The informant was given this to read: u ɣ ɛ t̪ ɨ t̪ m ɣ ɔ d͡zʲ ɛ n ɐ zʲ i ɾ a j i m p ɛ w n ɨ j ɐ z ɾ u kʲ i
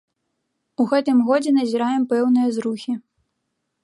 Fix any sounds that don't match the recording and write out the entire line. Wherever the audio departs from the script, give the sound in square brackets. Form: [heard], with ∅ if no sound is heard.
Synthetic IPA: u ɣ ɛ t̪ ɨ [∅] m ɣ ɔ d͡zʲ ɛ n ɐ zʲ i ɾ a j [ɛ] m p ɛ w n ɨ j ɐ z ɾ u [xʲ] i